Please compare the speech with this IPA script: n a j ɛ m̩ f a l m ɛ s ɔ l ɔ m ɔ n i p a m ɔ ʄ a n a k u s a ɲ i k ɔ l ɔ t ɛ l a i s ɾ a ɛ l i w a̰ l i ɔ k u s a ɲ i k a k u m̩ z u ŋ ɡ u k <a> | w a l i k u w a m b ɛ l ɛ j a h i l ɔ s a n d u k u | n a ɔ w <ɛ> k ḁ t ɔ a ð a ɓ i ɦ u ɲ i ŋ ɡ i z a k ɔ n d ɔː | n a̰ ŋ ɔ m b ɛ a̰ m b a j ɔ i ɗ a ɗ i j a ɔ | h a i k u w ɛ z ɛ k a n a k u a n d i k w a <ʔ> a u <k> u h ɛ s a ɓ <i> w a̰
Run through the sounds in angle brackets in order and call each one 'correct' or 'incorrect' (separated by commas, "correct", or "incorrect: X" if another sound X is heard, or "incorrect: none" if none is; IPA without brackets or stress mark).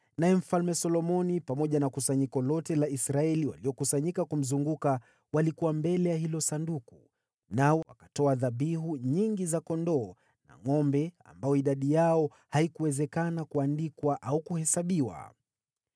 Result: correct, incorrect: a, correct, correct, correct